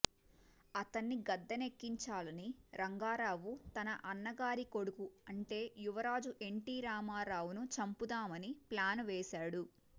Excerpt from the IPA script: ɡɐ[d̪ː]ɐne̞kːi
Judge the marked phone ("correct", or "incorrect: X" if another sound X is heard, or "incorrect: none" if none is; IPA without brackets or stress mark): correct